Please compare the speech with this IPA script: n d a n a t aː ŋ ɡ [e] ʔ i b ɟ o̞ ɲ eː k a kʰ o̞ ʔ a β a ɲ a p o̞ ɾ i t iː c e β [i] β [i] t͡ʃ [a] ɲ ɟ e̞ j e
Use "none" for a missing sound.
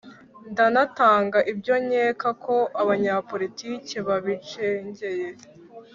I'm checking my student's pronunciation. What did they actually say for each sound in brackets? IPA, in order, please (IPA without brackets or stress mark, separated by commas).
a, a, i, e